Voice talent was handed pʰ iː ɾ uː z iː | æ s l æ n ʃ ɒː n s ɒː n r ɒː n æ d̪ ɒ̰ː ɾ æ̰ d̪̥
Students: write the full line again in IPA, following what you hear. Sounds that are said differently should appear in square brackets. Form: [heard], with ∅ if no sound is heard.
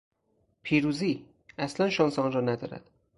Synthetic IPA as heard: pʰ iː ɾ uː z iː | æ s l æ n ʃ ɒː n s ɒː n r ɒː n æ d̪ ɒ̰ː ɾ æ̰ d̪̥